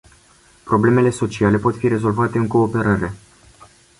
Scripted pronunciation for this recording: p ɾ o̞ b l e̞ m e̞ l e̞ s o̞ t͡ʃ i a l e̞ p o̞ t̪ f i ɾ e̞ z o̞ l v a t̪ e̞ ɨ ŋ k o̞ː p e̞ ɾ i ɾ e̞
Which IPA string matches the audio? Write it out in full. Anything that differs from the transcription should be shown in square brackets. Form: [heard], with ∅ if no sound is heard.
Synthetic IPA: p ɾ o̞ b l e̞ m e̞ l e̞ s o̞ t͡ʃ i a l e̞ p o̞ t̪ f i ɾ e̞ z o̞ l v a t̪ e̞ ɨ ŋ k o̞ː p e̞ ɾ [a] ɾ e̞